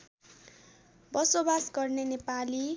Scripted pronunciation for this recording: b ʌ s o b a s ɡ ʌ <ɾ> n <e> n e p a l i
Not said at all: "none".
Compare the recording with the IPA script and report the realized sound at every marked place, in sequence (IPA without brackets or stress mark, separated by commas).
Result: r, e